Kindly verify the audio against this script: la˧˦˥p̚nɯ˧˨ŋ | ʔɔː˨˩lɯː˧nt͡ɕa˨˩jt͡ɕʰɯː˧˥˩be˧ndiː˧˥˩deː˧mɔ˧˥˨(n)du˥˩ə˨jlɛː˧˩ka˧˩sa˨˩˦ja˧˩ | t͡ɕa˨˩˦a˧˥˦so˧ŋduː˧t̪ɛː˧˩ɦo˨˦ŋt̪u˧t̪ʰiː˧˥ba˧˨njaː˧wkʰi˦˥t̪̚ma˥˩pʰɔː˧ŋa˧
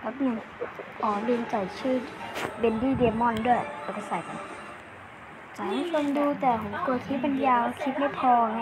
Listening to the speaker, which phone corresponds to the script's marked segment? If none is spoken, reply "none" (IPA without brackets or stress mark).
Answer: n